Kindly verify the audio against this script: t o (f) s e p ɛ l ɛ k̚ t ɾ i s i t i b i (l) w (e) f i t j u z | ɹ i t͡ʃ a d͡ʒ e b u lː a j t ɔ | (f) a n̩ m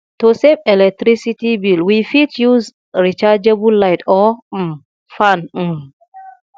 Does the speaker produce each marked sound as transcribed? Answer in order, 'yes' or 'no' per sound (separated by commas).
no, yes, no, yes